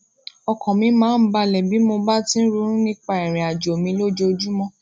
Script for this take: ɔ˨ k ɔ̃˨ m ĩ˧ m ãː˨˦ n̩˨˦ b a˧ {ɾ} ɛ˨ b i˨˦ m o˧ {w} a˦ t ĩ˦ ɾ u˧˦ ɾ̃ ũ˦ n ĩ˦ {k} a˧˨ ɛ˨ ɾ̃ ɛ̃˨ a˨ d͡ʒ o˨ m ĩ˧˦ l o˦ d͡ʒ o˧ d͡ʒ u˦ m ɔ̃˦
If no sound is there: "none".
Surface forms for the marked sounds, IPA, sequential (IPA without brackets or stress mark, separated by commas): l, b, k͡p